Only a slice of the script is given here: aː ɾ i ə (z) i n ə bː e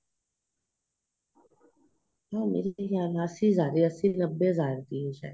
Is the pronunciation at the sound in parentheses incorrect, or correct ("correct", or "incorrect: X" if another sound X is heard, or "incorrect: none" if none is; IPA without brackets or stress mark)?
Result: incorrect: s